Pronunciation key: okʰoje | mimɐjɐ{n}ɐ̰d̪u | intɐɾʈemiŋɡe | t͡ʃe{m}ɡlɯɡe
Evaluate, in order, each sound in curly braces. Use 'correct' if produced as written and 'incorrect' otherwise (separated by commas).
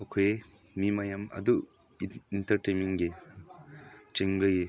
incorrect, incorrect